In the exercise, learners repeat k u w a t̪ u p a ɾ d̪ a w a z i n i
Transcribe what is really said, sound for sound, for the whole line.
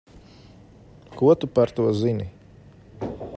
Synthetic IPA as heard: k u w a t̪ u p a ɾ t̪ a w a z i n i